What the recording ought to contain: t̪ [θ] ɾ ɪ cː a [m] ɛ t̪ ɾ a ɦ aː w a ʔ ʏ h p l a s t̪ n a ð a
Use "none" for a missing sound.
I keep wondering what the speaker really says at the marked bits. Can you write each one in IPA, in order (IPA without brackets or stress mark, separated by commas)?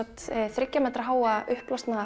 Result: θ, m